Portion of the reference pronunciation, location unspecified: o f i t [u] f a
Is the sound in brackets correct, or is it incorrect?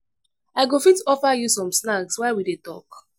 incorrect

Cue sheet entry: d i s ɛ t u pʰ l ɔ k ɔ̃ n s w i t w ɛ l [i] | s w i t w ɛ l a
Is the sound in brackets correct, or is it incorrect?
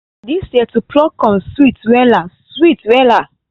incorrect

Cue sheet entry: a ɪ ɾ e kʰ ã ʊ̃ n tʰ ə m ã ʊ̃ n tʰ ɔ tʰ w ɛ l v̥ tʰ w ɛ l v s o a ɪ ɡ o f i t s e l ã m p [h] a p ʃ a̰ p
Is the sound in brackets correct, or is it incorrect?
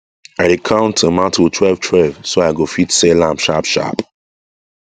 incorrect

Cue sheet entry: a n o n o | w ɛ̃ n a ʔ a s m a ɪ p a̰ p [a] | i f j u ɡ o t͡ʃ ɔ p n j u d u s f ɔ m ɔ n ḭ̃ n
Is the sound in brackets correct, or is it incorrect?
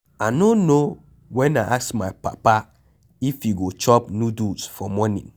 correct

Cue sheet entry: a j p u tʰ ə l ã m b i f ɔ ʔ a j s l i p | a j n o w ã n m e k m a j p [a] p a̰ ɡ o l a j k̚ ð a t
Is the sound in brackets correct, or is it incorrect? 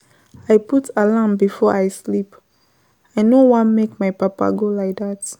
correct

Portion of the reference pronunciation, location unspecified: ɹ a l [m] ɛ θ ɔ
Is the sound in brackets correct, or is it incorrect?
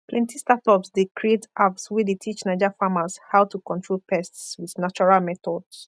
correct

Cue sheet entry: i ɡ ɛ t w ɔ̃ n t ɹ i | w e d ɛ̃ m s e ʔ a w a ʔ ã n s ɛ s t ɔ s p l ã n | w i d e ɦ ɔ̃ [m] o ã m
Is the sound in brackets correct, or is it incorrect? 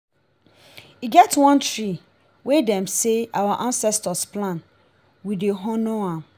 incorrect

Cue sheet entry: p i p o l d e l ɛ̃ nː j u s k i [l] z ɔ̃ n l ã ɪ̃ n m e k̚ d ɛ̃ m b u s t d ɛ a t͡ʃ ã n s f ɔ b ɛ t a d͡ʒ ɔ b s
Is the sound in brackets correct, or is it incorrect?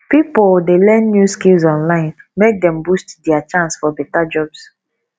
correct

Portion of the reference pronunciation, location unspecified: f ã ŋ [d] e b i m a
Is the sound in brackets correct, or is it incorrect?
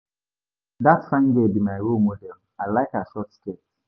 incorrect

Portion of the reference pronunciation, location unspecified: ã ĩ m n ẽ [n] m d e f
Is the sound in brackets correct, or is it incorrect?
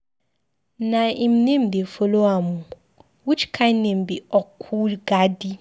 incorrect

